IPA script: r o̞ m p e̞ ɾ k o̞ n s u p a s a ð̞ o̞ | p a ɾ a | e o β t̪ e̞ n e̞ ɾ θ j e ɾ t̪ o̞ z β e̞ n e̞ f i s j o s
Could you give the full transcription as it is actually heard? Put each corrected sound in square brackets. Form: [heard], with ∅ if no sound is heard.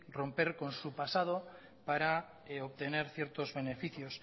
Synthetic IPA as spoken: r o̞ m p e̞ ɾ k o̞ n s u p a s a ð̞ o̞ | p a ɾ a | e o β t̪ e̞ n e̞ ɾ θ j e ɾ t̪ o̞ z β e̞ n e̞ f i [θ] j o s